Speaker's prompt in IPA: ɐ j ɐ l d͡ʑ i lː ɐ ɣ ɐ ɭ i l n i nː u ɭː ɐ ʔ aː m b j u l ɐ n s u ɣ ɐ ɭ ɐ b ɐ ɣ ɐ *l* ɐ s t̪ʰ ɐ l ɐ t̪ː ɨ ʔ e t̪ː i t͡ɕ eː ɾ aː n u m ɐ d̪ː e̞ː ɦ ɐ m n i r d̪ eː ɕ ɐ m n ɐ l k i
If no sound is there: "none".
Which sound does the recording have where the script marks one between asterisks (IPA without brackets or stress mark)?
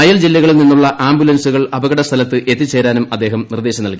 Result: ɽ